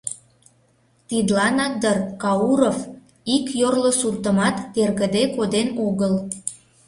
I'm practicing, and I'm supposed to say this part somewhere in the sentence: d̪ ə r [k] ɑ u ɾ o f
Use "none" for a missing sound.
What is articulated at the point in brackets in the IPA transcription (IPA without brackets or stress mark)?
k